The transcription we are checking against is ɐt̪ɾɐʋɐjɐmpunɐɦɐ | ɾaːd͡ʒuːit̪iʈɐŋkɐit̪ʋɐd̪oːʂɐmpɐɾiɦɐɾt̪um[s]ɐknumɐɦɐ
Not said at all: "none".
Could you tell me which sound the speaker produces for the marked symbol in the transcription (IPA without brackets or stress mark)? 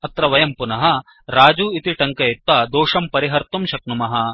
ʃ